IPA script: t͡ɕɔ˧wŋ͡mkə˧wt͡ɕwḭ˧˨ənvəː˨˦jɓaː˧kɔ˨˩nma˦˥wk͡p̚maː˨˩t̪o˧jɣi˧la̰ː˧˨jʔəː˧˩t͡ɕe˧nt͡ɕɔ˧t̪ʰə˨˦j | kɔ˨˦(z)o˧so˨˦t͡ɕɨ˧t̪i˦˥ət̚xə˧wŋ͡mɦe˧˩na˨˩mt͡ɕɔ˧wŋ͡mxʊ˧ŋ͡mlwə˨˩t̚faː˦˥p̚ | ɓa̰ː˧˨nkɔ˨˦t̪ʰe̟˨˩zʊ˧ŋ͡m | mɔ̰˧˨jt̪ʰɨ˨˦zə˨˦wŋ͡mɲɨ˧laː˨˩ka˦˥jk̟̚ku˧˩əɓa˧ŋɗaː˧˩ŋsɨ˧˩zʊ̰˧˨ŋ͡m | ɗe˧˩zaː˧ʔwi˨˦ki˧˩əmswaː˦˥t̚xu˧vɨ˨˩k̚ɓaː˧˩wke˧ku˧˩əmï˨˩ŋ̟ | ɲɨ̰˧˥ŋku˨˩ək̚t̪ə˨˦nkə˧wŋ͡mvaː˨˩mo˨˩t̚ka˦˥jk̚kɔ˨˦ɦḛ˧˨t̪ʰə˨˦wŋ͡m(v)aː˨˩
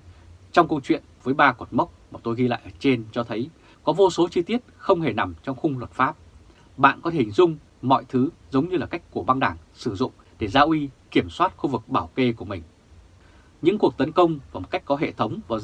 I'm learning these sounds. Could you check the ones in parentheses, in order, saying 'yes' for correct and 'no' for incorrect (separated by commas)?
no, yes